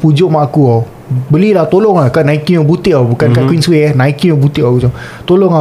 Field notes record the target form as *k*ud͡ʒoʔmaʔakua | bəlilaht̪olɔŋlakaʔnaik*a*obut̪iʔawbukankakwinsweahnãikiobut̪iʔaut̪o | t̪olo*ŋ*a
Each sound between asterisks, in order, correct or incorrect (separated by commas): incorrect, incorrect, correct